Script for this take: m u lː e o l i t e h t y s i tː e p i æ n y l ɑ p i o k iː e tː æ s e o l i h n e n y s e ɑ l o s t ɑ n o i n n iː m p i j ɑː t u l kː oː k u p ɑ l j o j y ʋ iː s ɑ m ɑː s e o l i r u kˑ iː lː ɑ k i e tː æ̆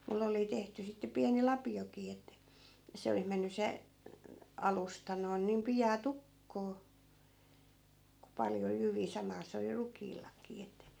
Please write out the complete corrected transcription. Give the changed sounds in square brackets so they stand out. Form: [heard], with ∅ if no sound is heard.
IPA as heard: m u lː e o l i t e h t y s i tː e p i æ n [i] l ɑ p i o k iː e tː æ s e o l i h [m] e [nː] y s e ɑ l [u] s t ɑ n o i n n iː m p i j ɑː t u [∅] kː oː k u p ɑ l j o j y ʋ iː s ɑ m ɑː s e o l i r u kˑ iː lː ɑ k [iː] e tː æ̆

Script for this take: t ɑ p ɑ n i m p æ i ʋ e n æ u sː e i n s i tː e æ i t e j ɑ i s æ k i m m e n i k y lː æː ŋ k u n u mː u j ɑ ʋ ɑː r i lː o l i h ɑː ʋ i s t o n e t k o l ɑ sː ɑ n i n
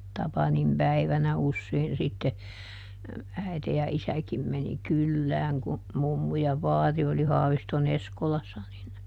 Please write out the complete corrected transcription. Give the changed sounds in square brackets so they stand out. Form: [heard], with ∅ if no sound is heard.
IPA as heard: t ɑ p ɑ n i m p æ i ʋ [æ] n æ u sː e i n s i tː e æ i t e j ɑ i s æ k i m m e n i k y lː æː ŋ k u [m] u mː u j ɑ ʋ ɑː r i [∅] o l i h ɑː ʋ i s t o n e [s] k o l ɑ sː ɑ n i n

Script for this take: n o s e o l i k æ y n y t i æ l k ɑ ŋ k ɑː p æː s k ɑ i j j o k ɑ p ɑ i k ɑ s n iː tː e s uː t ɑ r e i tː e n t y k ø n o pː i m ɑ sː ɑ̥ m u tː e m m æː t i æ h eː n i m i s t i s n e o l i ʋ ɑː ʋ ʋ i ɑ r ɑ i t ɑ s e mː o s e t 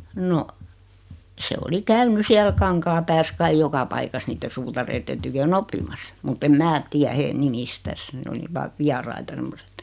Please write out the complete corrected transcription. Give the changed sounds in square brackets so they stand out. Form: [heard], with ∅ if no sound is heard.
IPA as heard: n o s e o l i k æ y n y [s] i æ l k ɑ ŋ k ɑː p æː s k ɑ i j j o k ɑ p ɑ i k ɑ s n iː tː e s uː t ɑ r e i tː e n t y k ø n o pː i m ɑ sː ɑ̥ m u tː e m m æː t i æ h eː n i m i s t [æ] s n e o l i ʋ ɑː ʋ ʋ i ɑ r ɑ i t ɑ s e mː o s e t

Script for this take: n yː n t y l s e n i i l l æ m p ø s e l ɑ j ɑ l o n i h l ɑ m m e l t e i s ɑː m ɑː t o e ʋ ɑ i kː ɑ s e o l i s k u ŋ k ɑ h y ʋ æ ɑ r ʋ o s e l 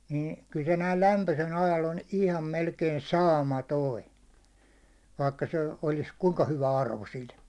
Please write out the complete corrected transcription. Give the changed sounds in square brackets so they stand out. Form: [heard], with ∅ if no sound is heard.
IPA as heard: n [iː] n [k] y l s e n [æ] i l l æ m p ø s e l ɑ j ɑ l o n i h l ɑ m m e l [k] e i s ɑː m [ɑ] t o [i] ʋ ɑ i kː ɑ s e o l i s k u ŋ k ɑ h y ʋ æ ɑ r ʋ o s [i] l

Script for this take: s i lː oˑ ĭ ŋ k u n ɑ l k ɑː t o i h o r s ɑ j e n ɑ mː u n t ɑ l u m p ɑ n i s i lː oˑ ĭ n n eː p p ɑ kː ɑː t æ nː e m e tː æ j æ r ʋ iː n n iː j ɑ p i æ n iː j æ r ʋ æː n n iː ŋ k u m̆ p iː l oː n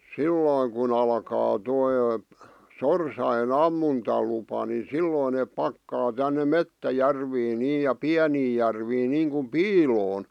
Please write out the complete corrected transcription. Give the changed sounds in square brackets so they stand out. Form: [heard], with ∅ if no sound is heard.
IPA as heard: s i lː oˑ ĭ ŋ k u n ɑ l k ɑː t o i [s] o r s ɑ j e n ɑ mː u n t ɑ l u [∅] p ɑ n i s i lː oˑ ĭ n n eː p p ɑ kː ɑː t æ nː e m e tː æ j æ r ʋ iː n n iː j ɑ p i æ n iː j æ r ʋ [iː] n n iː ŋ k u m̆ p iː l oː n

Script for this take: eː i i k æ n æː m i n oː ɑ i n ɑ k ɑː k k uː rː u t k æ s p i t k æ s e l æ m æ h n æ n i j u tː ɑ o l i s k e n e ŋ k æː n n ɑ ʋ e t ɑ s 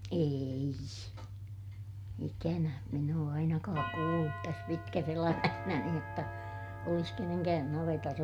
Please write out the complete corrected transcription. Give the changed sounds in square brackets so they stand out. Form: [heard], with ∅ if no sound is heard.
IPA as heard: eː i i k æ n [æ] m i n oː ɑ i n ɑ k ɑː k k uː [lː] u t [t] æ s p i t k æ s e l æ m æ h n æ n i j [o] tː ɑ o l i s k e n e ŋ k æː n n ɑ ʋ e t ɑ s

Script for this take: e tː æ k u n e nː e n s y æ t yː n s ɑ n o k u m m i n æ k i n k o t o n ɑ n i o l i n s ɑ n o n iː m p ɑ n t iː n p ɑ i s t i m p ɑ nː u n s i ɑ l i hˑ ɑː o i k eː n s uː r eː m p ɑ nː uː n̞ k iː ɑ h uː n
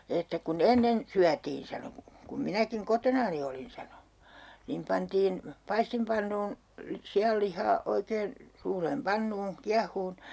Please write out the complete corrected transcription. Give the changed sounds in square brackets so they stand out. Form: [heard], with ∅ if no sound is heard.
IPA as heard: e tː æ k u n e nː e n s y æ t [iː] n s ɑ n o k u m m i n æ k i [ŋ] k o t o n ɑ n i o l i n s ɑ n o n iː m p ɑ n t iː n p ɑ i s t i m p ɑ nː [uː] n s i ɑ [lː] i hˑ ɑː o i k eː n s uː r eː m p ɑ nː uː n̞ k [i] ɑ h uː n

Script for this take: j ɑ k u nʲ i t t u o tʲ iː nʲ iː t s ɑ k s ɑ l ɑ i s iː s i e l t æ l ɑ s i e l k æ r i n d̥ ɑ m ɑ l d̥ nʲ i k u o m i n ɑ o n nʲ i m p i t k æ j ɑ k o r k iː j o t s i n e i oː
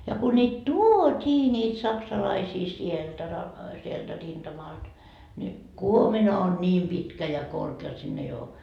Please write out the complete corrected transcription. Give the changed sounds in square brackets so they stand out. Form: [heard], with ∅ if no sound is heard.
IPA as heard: j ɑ k u nʲ [iː] t t u o tʲ iː nʲ iː t s ɑ k s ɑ l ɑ i s iː s i e l t æ [r] ɑ s i e l [t] æ r i n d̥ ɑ m ɑ l d̥ nʲ i k u o m i n ɑ o n nʲ [iː] m p i t k æ j ɑ k o r k [eː] j o t s i [nː] e i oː

